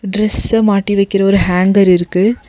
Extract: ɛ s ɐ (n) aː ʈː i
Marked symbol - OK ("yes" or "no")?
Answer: no